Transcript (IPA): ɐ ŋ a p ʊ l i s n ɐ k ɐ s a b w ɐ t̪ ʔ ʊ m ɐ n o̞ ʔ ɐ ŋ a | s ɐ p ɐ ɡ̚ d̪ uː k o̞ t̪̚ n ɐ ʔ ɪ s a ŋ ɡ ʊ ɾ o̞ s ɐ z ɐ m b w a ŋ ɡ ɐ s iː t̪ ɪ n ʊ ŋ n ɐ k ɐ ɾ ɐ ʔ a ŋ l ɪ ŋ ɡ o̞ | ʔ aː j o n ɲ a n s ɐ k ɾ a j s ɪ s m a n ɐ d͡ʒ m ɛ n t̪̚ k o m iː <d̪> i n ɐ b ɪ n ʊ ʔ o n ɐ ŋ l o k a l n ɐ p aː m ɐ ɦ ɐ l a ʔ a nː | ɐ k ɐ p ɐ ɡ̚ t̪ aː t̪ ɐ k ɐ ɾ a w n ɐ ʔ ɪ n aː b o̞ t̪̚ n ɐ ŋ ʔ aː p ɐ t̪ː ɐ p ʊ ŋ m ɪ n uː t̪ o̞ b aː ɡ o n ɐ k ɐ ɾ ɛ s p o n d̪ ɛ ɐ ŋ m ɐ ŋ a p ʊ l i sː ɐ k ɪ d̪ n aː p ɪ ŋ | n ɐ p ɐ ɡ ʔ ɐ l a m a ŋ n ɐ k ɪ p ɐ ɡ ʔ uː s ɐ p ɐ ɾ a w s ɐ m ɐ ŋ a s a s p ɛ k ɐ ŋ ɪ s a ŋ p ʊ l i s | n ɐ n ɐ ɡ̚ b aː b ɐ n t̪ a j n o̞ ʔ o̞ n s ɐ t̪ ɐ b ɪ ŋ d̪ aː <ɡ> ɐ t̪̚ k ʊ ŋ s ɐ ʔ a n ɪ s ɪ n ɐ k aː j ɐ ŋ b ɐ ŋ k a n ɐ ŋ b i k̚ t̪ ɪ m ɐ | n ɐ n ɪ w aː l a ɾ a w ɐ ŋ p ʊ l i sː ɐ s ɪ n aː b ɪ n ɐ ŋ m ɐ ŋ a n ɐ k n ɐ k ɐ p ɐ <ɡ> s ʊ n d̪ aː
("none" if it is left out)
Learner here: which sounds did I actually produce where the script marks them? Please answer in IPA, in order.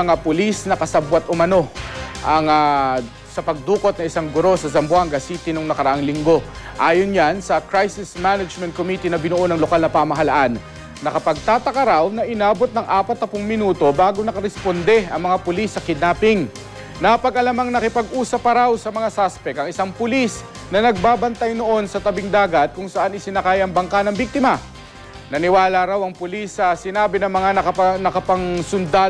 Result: t̪, ɡ, ŋ

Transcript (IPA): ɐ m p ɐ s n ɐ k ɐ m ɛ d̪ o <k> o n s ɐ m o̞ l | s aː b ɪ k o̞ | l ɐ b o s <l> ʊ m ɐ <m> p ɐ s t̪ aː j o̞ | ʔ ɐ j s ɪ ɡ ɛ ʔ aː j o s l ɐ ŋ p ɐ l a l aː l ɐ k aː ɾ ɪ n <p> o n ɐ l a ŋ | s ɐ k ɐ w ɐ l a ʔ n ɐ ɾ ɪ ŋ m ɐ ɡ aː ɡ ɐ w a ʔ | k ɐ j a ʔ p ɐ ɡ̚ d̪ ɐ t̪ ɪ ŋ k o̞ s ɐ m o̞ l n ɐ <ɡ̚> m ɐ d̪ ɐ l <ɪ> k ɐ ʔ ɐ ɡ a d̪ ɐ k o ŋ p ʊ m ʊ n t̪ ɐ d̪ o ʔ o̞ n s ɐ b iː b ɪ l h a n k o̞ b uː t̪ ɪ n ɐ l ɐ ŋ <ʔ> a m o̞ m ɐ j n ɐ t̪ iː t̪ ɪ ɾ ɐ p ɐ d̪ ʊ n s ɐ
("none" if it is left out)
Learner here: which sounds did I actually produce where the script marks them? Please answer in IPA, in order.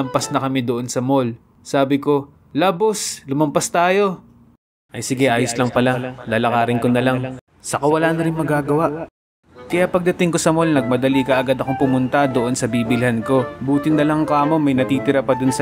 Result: ʔ, l, m, k, ɡ̚, i, k

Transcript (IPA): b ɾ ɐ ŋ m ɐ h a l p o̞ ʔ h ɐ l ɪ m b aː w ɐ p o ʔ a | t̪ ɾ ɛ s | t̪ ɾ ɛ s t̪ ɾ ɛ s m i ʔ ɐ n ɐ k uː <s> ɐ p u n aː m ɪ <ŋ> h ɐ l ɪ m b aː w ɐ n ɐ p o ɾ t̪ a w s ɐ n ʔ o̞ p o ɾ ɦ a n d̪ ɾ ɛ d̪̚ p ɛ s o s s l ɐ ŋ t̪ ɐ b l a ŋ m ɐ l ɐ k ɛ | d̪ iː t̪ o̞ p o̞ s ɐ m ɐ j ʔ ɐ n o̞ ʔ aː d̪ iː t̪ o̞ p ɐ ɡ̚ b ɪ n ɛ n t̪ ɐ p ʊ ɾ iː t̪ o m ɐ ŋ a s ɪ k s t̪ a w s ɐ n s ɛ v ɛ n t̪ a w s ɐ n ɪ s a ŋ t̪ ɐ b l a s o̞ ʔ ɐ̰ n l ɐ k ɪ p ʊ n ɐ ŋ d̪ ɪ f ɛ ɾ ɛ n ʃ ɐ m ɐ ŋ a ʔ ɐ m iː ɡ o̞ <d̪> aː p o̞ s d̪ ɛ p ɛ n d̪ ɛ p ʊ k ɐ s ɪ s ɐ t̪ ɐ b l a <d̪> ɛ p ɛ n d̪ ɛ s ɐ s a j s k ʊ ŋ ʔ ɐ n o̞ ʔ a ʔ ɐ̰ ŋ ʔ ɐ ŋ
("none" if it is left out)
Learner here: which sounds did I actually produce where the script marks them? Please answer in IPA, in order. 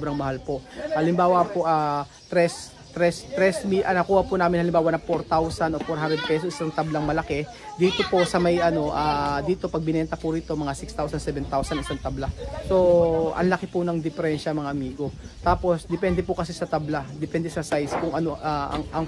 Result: h, n, t̪, d̪

